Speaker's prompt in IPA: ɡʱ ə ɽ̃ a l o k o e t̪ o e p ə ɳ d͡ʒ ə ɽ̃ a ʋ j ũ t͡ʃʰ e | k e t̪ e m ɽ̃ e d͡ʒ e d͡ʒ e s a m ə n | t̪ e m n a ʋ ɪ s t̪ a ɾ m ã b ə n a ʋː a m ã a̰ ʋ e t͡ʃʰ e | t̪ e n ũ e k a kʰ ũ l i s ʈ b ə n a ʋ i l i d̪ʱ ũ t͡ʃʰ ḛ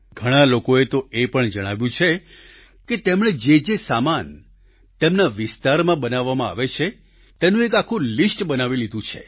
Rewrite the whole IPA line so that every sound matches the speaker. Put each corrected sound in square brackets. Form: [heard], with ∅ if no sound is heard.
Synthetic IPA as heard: ɡʱ ə ɽ̃ a l o k o e t̪ o e p ə ɳ d͡ʒ ə ɽ̃ a ʋ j ũ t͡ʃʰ e | k e t̪ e m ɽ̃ e d͡ʒ e d͡ʒ e s a m [a] n | t̪ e m n a ʋ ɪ s t̪ a ɾ m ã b ə n a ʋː a m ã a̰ ʋ e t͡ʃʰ e | t̪ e n ũ e k a kʰ ũ l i s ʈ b ə n a ʋ i l i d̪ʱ ũ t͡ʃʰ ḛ